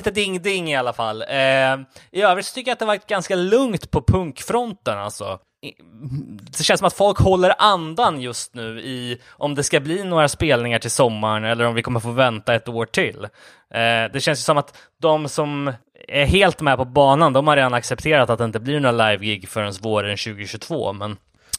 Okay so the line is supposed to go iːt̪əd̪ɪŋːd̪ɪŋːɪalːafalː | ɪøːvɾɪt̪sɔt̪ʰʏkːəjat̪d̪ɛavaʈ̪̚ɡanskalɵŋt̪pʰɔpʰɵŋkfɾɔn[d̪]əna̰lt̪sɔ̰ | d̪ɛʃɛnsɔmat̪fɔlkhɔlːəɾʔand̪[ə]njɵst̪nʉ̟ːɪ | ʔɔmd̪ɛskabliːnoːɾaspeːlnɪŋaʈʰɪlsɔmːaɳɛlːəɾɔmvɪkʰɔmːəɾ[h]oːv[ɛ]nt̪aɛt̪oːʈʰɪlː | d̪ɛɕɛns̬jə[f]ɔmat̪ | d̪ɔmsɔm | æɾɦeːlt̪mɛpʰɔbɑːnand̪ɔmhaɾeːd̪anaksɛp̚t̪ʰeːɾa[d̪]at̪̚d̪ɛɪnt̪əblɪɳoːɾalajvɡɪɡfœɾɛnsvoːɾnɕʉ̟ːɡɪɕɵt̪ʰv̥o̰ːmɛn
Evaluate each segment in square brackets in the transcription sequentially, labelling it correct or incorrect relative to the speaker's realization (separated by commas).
incorrect, incorrect, incorrect, correct, incorrect, incorrect